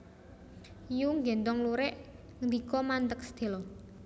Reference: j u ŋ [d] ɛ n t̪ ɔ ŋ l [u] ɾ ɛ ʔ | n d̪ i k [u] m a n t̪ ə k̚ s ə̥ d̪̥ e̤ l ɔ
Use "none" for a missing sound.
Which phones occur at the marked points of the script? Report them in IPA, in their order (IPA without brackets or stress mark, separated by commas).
ɡ, u, ɔ